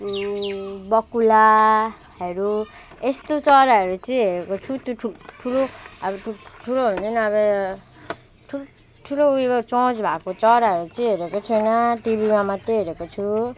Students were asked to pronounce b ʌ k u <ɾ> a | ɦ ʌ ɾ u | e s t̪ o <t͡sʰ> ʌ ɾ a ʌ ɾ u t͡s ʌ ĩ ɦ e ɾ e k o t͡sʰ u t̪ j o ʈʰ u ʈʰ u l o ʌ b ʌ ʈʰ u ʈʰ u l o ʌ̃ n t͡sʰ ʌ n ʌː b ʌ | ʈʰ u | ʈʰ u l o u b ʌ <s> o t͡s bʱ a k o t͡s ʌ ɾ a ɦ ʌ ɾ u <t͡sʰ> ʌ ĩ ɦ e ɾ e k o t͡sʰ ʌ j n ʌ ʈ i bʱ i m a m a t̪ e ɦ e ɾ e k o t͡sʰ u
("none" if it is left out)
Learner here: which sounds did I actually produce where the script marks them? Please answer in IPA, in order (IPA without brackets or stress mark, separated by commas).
l, t͡s, t͡s, t͡s